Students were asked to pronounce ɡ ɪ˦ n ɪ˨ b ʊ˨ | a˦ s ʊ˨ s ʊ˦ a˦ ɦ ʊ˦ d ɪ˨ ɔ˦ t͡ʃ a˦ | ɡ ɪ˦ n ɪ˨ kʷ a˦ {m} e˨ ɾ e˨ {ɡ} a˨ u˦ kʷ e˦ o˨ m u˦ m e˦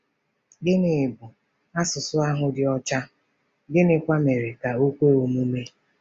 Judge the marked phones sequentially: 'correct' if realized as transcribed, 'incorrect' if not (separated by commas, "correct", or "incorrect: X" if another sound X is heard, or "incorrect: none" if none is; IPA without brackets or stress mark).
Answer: correct, incorrect: k